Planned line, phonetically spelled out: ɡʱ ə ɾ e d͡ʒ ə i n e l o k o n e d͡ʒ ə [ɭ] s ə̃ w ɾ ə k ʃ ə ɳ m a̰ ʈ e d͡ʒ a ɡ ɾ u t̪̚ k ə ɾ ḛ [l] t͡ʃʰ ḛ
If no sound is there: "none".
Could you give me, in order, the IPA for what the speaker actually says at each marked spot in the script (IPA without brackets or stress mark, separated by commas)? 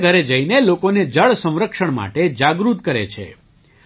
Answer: ɭ, none